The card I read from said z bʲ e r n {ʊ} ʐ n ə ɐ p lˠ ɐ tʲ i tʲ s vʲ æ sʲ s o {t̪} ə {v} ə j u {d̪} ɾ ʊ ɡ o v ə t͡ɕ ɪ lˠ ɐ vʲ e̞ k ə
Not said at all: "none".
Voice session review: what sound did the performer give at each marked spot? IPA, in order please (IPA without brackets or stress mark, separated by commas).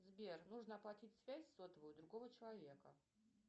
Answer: u, t̪, v, d̪